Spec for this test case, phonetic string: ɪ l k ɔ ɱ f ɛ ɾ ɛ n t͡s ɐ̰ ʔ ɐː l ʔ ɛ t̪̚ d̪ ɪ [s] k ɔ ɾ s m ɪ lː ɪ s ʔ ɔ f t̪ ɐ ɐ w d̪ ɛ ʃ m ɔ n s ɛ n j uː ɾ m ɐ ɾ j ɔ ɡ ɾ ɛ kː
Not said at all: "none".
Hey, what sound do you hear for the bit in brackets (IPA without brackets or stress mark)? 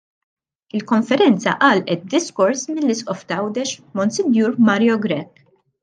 s